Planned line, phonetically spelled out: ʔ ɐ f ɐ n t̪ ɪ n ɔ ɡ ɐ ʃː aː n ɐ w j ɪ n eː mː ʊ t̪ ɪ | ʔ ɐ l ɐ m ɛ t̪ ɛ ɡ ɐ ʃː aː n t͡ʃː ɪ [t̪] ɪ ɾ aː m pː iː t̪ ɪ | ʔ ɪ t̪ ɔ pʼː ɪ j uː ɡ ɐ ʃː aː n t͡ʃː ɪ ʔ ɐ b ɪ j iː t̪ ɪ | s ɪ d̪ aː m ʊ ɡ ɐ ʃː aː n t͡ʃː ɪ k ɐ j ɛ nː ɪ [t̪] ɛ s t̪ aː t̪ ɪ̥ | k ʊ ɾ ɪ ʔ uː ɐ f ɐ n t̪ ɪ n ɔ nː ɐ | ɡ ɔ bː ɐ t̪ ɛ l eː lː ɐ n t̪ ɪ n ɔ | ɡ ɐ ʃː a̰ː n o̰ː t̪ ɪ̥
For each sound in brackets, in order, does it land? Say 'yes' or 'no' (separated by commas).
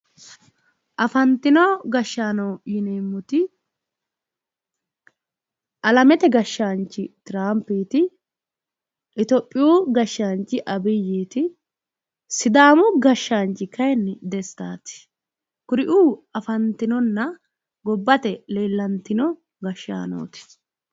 yes, no